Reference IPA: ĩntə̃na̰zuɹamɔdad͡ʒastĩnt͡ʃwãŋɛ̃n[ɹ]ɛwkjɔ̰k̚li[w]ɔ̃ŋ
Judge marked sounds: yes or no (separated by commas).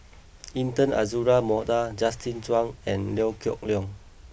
no, no